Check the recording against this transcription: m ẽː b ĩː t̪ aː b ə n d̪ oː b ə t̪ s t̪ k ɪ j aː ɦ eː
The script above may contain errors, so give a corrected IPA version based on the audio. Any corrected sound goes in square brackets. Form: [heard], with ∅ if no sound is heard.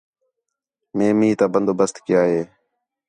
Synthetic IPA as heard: m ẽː [m] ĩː t̪ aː b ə n d̪ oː b ə [∅] s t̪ k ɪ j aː ɦ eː